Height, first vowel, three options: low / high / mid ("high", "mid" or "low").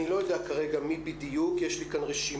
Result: high